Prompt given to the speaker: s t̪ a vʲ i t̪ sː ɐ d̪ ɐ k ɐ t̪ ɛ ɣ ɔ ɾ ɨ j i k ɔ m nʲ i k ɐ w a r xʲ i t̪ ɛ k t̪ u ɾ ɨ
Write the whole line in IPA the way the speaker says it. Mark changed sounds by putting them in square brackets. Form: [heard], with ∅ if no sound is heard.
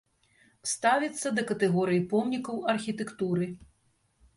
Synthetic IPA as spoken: s t̪ a vʲ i t̪ sː ɐ d̪ ɐ k ɐ t̪ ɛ ɣ ɔ ɾ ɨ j i [p] ɔ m nʲ i k ɐ w [ɐ] r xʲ i t̪ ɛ k t̪ u ɾ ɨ

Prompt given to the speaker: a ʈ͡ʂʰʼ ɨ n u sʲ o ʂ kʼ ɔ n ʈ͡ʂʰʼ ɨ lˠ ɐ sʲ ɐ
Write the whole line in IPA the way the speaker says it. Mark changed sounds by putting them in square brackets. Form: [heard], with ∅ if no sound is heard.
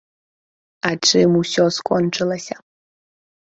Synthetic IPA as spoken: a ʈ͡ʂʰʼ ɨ [m] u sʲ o [s] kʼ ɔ n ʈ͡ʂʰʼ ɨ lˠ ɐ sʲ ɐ

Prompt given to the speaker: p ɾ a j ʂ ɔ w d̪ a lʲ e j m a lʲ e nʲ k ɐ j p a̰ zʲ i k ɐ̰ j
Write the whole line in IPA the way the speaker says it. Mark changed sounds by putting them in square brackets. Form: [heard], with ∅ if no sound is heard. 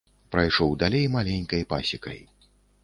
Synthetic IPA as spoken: p ɾ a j ʂ ɔ w d̪ a lʲ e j m a lʲ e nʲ k ɐ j p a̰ [sʲ] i k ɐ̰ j

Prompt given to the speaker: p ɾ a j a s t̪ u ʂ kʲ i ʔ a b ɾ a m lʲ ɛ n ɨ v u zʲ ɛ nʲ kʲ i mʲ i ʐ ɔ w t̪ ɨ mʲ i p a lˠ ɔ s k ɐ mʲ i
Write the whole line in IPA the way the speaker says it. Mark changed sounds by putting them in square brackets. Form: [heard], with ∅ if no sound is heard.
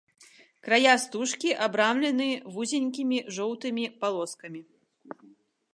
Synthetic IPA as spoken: [k] ɾ a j a s t̪ u ʂ kʲ i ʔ a b ɾ a m lʲ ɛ n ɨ v u zʲ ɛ nʲ kʲ i mʲ i ʐ ɔ w t̪ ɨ mʲ i p a lˠ ɔ s k ɐ mʲ i

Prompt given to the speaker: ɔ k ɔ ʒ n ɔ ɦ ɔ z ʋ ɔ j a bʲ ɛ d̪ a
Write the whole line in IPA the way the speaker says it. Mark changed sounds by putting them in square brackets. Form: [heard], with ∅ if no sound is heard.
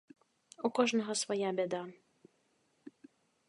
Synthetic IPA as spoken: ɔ k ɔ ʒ n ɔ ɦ ɔ [s] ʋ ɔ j a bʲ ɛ d̪ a

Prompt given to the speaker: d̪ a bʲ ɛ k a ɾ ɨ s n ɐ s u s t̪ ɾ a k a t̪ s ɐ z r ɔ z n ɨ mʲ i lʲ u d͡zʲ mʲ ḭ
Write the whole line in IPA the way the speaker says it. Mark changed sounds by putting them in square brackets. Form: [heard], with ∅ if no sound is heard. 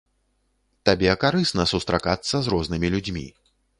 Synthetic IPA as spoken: [t̪] a bʲ ɛ k a ɾ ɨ s n ɐ s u s t̪ ɾ a k a t̪ [sː] ɐ z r ɔ z n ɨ mʲ i lʲ u d͡zʲ mʲ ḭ

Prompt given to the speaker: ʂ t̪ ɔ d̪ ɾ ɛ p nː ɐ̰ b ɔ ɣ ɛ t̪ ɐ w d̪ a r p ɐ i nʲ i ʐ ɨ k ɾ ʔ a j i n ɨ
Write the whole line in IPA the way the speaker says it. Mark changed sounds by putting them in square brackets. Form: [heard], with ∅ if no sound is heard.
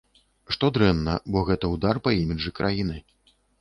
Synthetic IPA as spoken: ʂ t̪ ɔ d̪ ɾ ɛ [∅] nː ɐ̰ b ɔ ɣ ɛ t̪ ɐ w d̪ a r p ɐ i [mʲ] i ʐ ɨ k ɾ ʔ a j i n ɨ

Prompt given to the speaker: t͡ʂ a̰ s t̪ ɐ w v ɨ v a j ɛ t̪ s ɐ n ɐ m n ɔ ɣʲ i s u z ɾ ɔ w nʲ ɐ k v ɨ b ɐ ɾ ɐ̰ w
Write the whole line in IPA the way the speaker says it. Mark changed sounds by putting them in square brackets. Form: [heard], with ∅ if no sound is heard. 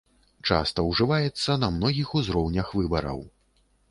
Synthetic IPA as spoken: t͡ʂ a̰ s t̪ ɐ w [ʐ] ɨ v a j ɛ t̪ [sː] ɐ n ɐ m n ɔ ɣʲ i [x] u z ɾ ɔ w nʲ ɐ [x] v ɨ b ɐ ɾ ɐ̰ w

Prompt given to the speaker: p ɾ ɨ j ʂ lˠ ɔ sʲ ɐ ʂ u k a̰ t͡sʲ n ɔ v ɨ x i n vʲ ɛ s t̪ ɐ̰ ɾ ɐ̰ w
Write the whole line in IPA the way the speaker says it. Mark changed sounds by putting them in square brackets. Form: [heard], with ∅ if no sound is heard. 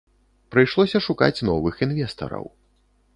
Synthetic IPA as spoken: p ɾ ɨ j ʂ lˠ ɔ sʲ ɐ ʂ u k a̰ t͡sʲ n ɔ v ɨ x i n vʲ ɛ s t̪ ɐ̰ ɾ ɐ̰ w

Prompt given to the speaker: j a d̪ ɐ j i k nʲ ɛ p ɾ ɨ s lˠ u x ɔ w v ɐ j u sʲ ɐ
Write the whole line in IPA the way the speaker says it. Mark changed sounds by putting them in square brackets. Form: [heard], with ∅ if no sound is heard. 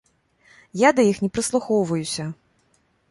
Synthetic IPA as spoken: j a d̪ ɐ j i [x] nʲ ɛ p ɾ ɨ s lˠ u x ɔ w v ɐ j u sʲ ɐ

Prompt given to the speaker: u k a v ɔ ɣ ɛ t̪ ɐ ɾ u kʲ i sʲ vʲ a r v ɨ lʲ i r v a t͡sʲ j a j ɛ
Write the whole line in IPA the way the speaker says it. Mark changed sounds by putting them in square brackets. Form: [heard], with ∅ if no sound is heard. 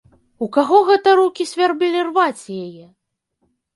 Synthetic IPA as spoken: u k a [ɣ] ɔ ɣ ɛ t̪ ɐ ɾ u kʲ i sʲ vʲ a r [b] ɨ lʲ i r v a t͡sʲ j a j ɛ

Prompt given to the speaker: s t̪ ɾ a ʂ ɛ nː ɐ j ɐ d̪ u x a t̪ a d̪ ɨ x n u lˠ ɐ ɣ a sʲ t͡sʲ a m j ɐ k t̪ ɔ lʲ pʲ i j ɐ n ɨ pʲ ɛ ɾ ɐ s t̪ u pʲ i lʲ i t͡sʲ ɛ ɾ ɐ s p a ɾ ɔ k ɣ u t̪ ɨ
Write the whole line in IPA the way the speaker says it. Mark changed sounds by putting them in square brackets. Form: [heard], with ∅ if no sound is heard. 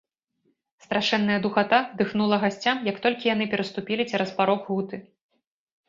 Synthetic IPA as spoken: s t̪ ɾ a ʂ ɛ nː ɐ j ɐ d̪ u x a t̪ a d̪ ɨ x n u lˠ ɐ ɣ a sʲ t͡sʲ a m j ɐ k t̪ ɔ lʲ [kʲ] i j [a] n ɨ pʲ ɛ ɾ ɐ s t̪ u pʲ i lʲ i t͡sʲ ɛ ɾ ɐ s p a ɾ ɔ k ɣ u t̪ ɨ

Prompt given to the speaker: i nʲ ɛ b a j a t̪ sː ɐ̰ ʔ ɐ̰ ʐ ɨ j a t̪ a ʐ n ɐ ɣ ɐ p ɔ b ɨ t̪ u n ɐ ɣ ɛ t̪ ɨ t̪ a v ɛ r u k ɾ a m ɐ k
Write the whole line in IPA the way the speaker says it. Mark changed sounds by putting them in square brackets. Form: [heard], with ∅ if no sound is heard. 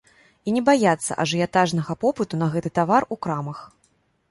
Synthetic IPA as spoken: i nʲ ɛ b a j a t̪ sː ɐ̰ ʔ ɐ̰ ʐ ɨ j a t̪ a ʐ n ɐ ɣ ɐ p ɔ [p] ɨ t̪ u n ɐ ɣ ɛ t̪ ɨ t̪ a v [a] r u k ɾ a m ɐ [x]

